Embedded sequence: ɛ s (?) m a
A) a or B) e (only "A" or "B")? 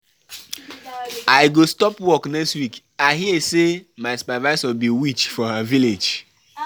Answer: B